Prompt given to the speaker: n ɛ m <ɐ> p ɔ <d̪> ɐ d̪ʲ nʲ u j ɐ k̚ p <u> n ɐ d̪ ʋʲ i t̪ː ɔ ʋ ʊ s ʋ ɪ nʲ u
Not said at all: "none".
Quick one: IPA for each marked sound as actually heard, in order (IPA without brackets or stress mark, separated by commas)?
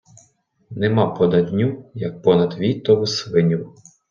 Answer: ɑ, d̪, ɔ